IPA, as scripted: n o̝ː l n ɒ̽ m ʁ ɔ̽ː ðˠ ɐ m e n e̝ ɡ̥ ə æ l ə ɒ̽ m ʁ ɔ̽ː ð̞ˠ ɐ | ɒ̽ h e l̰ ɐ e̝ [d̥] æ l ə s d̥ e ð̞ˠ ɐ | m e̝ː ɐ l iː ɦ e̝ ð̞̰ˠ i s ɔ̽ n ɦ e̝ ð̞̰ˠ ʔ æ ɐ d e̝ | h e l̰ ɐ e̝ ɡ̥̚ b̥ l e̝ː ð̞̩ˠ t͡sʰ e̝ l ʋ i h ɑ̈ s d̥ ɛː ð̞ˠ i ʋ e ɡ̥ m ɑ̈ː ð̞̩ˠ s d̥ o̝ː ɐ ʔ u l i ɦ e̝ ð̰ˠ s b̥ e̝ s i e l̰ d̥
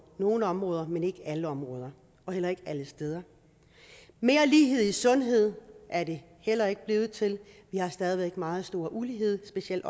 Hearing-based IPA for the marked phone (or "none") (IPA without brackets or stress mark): ɡ̥